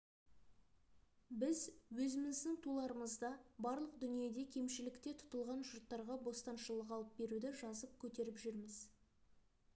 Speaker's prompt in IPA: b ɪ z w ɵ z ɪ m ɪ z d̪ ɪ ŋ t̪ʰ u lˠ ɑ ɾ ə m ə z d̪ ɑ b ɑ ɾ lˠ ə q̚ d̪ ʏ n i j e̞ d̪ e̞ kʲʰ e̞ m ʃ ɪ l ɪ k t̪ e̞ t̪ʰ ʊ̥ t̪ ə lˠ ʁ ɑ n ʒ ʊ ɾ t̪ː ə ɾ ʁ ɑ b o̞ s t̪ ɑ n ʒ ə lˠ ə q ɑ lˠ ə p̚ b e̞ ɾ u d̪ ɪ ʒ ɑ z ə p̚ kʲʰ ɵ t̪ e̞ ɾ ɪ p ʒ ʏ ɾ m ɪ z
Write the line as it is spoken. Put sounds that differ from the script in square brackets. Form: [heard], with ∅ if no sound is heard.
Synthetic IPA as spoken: b ɪ z w ɵ z ɪ m ɪ z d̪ ɪ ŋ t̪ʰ u lˠ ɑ ɾ ə m ə z d̪ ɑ b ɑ ɾ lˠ ə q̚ d̪ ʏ n i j e̞ d̪ e̞ kʲʰ e̞ m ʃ ɪ l ɪ k t̪ e̞ t̪ʰ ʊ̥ t̪ ə lˠ ʁ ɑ n ʒ ʊ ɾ t̪ː [ɑ] ɾ ʁ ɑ b o̞ s t̪ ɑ n [ʃ] ə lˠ ə q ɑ lˠ ə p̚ b e̞ ɾ u d̪ ɪ ʒ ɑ z ə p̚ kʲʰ ɵ t̪ e̞ ɾ ɪ p ʒ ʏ ɾ m ɪ z